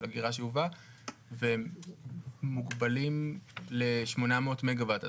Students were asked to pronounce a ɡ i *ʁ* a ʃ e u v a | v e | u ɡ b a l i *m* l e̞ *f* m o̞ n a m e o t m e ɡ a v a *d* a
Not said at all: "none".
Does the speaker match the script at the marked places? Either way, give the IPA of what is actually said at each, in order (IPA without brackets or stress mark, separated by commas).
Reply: ʁ, m, ʃ, t